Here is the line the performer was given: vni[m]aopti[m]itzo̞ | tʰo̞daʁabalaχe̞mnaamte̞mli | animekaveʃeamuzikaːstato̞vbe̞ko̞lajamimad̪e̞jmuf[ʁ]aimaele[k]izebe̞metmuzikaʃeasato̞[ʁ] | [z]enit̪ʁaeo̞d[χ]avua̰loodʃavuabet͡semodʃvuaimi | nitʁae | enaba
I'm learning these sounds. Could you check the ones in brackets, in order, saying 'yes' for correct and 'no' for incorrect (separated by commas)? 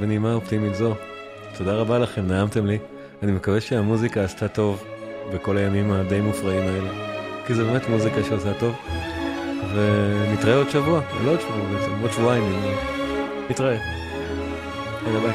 yes, yes, yes, yes, no, no, no